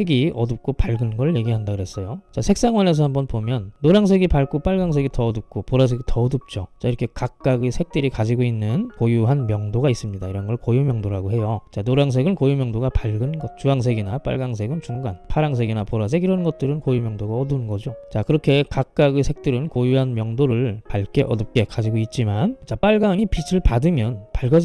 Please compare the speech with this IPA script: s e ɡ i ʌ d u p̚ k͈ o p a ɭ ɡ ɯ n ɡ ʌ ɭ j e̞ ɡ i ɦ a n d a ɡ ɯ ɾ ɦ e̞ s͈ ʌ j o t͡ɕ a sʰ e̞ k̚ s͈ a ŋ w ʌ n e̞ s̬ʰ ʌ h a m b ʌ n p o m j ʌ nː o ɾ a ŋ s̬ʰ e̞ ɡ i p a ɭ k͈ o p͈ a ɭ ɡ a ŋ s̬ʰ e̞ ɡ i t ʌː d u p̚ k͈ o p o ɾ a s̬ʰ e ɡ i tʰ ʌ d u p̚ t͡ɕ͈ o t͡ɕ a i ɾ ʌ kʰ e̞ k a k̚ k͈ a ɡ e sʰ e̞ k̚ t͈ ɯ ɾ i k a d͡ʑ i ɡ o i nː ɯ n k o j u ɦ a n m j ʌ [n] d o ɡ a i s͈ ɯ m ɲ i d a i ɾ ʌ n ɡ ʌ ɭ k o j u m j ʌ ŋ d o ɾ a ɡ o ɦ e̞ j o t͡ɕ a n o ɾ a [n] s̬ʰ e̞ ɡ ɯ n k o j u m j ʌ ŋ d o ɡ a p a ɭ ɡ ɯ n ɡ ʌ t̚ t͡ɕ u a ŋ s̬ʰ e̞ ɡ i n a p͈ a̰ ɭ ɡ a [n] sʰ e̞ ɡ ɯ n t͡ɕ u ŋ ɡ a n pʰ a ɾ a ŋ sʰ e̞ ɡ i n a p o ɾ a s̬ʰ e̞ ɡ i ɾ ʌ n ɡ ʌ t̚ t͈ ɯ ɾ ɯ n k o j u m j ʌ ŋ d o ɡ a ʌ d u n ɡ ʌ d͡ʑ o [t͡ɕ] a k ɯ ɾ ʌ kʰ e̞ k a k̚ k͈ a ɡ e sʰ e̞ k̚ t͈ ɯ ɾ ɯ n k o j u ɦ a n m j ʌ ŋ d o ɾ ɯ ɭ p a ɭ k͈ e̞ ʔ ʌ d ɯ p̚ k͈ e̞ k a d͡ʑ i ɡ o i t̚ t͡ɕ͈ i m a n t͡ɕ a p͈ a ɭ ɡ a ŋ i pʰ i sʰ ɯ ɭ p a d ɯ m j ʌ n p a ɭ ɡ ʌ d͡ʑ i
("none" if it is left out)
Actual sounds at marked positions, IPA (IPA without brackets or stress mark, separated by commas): ŋ, ŋ, ŋ, t͡ɕ